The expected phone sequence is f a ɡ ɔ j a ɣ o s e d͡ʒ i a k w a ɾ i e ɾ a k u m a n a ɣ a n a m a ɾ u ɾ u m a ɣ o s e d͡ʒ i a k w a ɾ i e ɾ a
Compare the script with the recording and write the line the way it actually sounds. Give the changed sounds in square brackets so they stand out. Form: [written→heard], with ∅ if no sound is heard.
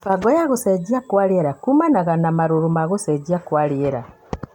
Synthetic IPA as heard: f a ɡ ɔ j a ɣ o s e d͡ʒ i a k w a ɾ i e ɾ a k u m a n a ɣ a n a m a ɾ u ɾ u m a ɣ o s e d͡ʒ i a k w a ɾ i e ɾ a

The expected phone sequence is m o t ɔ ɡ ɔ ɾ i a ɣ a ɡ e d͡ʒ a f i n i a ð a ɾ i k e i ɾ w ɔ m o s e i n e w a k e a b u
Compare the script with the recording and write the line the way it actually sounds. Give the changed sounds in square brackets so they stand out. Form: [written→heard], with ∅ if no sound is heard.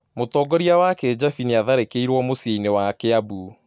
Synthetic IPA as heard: m o t ɔ ɡ ɔ ɾ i a [ɣ→w] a [ɡ→k] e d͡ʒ a f i n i a ð a ɾ [i→e] k e i ɾ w ɔ m o s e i n e w a k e a b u

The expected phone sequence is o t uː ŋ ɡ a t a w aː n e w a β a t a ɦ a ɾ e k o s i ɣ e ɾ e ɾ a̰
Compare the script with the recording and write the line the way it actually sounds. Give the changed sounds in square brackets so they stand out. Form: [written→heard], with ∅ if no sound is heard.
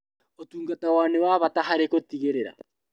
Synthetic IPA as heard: o t uː ŋ ɡ a t a w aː n e w a β a t a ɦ a ɾ e k o [s→t] i ɣ e ɾ e ɾ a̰

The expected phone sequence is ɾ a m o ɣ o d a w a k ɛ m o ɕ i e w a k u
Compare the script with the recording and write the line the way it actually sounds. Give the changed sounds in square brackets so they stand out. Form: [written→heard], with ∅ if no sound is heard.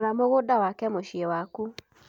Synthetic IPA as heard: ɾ a m o ɣ o d a w a k ɛ m o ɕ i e w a k u

